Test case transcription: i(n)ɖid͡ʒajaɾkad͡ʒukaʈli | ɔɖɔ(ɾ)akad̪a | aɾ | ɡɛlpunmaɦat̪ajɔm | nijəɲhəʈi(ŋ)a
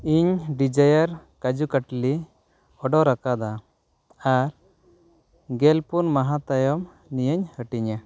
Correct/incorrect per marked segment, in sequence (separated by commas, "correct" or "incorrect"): incorrect, correct, incorrect